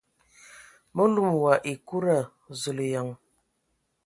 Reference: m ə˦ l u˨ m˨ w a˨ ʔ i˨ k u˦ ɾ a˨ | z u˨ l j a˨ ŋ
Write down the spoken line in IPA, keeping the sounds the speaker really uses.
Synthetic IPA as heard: m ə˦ l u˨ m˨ w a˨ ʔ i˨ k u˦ ɾ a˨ | z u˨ l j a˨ ŋ